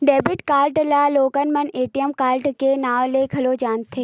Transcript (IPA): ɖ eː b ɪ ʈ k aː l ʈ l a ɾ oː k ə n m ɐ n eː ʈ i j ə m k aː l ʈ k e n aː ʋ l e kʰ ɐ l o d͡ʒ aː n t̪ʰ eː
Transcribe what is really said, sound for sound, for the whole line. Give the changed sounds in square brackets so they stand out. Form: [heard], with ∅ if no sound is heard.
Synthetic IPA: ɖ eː b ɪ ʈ k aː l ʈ l a [l] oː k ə n m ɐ n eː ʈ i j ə m k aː l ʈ k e n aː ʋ l e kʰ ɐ l o d͡ʒ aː n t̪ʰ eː